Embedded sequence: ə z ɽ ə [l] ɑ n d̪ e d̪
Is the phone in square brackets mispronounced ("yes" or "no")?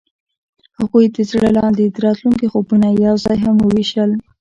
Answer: no